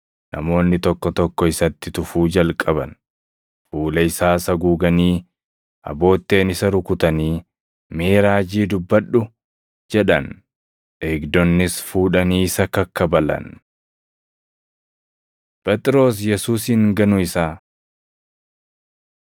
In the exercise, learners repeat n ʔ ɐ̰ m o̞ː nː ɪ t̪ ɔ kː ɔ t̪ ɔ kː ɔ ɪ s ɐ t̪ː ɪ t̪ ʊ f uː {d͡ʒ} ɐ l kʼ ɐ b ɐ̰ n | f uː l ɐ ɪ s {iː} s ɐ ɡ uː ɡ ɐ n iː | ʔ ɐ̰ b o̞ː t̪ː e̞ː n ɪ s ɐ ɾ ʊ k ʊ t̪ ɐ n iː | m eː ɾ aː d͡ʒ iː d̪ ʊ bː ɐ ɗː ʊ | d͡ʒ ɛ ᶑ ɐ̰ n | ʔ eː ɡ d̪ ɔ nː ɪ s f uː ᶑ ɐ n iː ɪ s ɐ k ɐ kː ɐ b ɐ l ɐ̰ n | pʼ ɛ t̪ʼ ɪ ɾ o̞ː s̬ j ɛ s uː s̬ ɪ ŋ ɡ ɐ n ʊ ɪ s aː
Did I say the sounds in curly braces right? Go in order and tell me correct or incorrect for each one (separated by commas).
correct, incorrect